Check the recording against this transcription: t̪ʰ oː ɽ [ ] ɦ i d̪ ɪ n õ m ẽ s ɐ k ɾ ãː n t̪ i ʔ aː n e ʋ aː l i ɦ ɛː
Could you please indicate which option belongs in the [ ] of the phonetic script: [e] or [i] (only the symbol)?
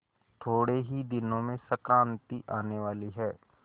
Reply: e